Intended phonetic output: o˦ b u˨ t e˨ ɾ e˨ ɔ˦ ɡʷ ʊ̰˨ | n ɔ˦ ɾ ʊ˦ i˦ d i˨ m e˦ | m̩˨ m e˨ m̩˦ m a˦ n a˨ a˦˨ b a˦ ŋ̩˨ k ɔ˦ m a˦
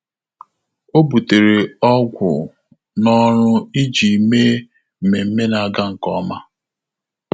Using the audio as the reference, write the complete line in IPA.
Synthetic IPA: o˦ b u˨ t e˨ ɾ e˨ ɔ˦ ɡʷ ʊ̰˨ | n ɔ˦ ɾ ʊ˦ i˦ d͡ʒ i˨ m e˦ | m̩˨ m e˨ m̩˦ m e˦ n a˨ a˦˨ ɡ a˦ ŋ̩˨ k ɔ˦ m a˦